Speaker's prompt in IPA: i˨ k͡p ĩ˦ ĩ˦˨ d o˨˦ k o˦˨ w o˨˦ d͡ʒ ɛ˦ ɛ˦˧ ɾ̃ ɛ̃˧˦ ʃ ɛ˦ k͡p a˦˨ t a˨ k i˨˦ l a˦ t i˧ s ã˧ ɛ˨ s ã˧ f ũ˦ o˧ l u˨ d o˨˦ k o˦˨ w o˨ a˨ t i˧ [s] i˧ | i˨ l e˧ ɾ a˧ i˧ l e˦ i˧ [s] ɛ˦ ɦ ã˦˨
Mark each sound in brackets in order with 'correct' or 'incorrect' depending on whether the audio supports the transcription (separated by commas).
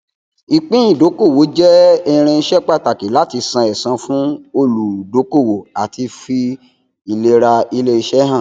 incorrect, incorrect